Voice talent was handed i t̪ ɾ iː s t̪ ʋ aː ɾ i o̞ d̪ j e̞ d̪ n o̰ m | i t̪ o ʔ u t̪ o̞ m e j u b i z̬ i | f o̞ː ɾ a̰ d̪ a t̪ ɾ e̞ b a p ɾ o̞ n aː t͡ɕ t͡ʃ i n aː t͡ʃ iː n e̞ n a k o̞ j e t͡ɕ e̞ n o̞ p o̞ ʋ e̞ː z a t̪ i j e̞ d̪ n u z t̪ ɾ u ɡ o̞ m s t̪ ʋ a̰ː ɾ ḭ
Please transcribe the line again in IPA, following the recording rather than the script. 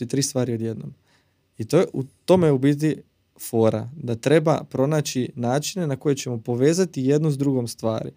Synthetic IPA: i t̪ ɾ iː s t̪ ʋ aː ɾ i o̞ d̪ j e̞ d̪ n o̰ m | i t̪ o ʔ u t̪ o̞ m e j u b i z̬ i | f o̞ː ɾ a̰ d̪ a t̪ ɾ e̞ b a p ɾ o̞ n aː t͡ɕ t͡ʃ i n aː t͡ʃ i n e̞ n a k o̞ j e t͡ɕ e̞ m o̞ p o̞ ʋ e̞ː z a t̪ i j e̞ d̪ n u z d̪ ɾ u ɡ o̞ m s t̪ ʋ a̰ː ɾ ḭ